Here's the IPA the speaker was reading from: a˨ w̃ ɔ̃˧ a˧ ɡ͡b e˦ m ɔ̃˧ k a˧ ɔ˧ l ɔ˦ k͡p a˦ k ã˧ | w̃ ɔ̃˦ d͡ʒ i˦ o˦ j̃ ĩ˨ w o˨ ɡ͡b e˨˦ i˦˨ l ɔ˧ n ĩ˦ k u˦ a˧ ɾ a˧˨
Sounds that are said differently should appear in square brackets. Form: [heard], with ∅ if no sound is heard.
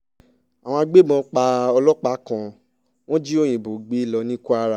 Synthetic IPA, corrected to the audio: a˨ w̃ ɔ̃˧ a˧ ɡ͡b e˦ m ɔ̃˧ [k͡p] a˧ ɔ˧ l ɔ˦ k͡p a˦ k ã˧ | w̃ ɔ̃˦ d͡ʒ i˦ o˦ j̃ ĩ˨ [b] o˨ ɡ͡b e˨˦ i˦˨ l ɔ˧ n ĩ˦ k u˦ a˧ ɾ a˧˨